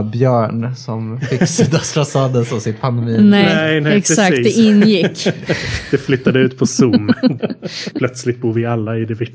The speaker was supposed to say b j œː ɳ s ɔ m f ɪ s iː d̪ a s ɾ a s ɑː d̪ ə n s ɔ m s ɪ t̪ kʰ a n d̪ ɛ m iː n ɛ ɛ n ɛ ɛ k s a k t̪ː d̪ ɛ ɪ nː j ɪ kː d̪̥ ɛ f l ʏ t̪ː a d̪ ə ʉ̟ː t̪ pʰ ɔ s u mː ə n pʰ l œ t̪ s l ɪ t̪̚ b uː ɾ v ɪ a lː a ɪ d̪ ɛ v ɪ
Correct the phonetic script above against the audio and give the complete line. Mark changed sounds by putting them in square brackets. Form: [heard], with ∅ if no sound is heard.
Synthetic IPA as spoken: b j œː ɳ s ɔ m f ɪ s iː d̪ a s ɾ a s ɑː d̪ ə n s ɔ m s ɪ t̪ [pʰ] a n d̪ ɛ m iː n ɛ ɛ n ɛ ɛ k s a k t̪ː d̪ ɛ ɪ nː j ɪ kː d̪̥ ɛ f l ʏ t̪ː a d̪ ə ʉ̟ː t̪ pʰ ɔ s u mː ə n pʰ l œ t̪ s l ɪ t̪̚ b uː ɾ v ɪ a lː a ɪ d̪ ɛ v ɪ